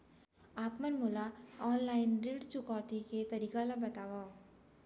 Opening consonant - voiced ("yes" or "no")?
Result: no